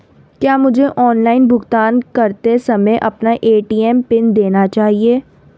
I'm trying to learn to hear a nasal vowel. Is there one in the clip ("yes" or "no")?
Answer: no